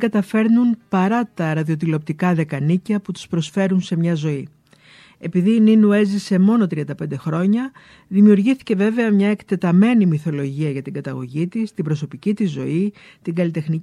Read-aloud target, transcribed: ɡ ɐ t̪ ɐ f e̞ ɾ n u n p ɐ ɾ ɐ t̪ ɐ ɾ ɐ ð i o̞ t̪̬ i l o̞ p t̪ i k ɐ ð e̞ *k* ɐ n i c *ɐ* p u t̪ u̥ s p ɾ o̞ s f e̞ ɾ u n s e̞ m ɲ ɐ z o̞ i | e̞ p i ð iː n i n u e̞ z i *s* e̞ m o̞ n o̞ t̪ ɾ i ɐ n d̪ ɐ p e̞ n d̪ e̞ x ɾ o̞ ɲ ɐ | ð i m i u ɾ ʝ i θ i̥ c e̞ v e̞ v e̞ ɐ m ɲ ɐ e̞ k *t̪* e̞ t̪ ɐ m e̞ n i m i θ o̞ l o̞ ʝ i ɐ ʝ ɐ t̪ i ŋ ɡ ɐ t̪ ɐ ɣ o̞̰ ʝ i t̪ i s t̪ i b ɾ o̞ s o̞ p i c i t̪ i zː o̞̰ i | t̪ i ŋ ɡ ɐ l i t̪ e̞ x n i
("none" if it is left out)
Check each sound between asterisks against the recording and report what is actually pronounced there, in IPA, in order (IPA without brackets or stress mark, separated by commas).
k, ɐ, s, t̪